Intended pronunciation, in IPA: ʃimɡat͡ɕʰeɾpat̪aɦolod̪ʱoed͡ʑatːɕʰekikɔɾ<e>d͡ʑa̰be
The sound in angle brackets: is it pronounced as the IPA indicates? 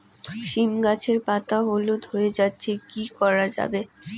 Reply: no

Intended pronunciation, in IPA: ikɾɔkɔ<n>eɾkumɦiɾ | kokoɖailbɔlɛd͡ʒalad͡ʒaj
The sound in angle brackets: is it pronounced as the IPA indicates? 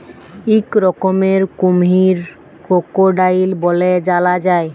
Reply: no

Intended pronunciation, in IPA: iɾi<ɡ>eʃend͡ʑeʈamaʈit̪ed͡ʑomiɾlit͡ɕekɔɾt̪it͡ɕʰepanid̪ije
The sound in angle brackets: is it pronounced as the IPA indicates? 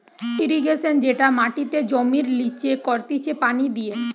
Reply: yes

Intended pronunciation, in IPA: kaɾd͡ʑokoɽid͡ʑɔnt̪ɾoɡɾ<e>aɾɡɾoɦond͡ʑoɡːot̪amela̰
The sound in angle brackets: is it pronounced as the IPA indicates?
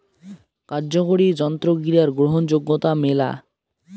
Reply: no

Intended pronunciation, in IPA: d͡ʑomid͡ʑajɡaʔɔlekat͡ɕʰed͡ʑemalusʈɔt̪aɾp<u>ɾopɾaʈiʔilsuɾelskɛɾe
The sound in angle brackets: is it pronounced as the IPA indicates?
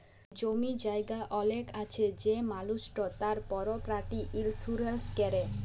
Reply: no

